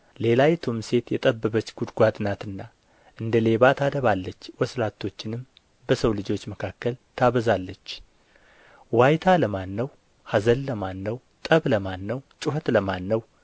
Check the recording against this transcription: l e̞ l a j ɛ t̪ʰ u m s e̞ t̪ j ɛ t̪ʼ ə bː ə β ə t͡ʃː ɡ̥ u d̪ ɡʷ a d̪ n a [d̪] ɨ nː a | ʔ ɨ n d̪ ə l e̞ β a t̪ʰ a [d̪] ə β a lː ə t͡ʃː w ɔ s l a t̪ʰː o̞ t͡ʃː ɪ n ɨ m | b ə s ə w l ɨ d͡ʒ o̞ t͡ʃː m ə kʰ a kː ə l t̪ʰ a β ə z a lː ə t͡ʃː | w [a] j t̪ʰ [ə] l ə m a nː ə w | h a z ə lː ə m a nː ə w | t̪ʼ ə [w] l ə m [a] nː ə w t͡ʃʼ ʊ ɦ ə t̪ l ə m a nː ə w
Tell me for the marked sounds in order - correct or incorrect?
incorrect: t̪, correct, correct, incorrect: a, incorrect: β, correct

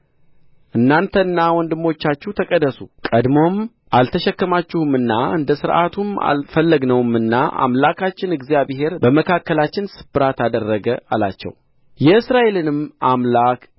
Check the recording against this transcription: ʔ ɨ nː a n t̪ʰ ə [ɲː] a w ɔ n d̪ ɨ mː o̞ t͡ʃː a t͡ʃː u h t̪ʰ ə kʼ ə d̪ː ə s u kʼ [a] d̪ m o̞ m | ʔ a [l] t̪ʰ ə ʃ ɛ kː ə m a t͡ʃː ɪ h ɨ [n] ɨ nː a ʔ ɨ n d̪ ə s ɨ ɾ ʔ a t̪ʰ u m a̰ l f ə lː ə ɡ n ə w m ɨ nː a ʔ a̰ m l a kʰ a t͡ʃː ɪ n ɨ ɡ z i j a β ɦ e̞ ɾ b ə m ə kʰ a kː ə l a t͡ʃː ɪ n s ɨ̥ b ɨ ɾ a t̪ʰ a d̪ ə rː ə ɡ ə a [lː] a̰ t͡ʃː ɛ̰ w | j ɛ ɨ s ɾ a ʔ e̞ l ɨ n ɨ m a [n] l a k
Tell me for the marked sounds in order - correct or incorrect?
incorrect: nː, incorrect: ə, correct, incorrect: m, incorrect: l, incorrect: m

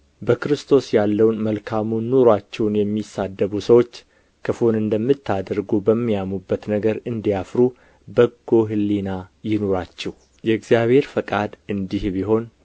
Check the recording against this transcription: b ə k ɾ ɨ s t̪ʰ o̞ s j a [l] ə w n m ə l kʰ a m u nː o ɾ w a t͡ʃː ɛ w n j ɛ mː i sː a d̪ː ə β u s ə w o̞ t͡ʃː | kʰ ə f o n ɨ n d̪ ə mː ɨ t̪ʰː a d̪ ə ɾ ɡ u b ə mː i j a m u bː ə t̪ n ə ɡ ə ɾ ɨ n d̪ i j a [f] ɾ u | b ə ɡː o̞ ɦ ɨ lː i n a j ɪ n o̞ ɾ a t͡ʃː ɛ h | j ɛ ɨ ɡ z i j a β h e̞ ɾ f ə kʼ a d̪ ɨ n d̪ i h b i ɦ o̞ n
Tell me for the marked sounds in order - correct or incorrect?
incorrect: lː, correct

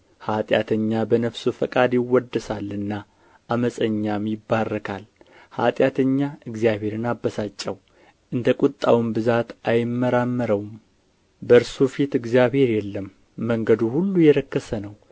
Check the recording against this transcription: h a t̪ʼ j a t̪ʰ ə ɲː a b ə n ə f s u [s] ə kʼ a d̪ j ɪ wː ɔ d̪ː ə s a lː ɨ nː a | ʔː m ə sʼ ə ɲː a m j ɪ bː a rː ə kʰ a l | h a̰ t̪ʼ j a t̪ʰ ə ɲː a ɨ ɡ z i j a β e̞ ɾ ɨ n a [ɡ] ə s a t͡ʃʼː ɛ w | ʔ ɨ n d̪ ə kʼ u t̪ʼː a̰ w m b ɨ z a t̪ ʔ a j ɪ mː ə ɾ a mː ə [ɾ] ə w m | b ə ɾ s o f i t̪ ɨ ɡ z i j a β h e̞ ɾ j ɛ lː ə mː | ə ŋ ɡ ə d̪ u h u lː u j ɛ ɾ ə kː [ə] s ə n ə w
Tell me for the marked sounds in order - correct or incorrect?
incorrect: f, incorrect: b, correct, correct

